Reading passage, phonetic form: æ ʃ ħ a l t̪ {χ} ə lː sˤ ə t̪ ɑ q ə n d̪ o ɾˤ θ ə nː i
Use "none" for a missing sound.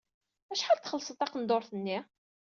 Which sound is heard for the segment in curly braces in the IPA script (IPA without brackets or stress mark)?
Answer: χ